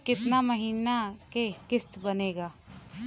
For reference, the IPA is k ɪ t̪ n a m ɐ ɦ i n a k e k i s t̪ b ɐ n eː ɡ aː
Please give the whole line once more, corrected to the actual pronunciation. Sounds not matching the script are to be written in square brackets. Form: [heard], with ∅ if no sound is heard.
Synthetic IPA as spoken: k ɪ t̪ n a m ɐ ɦ [iː] n a k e k [ɪ] s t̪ b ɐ n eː ɡ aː